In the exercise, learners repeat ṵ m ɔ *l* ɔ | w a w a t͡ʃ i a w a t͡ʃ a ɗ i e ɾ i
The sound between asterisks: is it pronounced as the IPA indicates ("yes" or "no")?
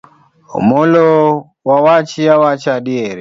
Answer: yes